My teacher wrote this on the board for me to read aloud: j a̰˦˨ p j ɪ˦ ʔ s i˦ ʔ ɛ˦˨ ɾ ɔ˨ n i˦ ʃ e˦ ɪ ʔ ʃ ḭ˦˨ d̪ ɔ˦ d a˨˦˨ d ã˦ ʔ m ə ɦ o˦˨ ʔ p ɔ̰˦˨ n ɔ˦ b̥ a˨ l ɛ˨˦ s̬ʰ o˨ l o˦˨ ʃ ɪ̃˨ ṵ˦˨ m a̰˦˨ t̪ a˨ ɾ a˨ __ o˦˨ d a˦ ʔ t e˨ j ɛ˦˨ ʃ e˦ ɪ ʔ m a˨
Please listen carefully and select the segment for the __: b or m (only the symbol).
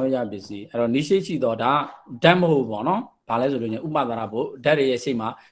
b